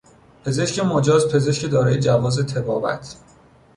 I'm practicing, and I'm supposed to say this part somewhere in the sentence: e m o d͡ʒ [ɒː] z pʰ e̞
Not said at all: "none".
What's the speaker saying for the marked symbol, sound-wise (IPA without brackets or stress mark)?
ɒː